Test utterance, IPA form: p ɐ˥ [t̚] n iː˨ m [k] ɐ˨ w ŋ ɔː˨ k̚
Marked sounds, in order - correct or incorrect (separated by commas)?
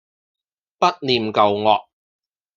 correct, correct